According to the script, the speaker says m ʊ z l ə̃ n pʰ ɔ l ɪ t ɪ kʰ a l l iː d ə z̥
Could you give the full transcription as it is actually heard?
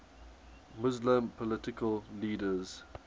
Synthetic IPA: m ʊ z l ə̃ m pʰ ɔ l ɪ t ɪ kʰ ə l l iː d ə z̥